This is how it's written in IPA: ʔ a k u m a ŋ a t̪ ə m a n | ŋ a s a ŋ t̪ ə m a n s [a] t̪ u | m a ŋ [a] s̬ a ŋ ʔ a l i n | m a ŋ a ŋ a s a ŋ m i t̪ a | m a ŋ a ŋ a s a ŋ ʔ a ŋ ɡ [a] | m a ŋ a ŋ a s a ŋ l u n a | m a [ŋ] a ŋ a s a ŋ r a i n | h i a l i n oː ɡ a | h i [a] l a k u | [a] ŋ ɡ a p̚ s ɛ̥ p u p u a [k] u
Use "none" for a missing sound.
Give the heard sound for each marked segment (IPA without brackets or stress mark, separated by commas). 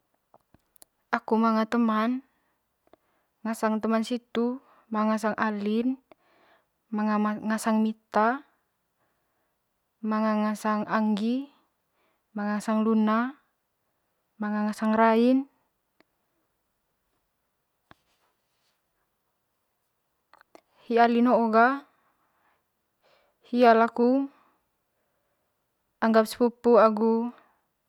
i, a, i, ŋ, a, a, ɡ